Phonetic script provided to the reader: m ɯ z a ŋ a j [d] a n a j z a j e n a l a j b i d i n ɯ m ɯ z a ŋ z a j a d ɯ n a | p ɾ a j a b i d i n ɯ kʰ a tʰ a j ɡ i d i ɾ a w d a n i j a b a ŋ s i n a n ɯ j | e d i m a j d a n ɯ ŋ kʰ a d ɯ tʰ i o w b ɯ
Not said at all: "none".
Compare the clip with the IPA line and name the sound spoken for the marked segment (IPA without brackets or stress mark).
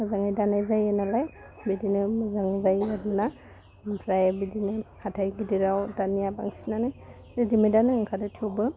d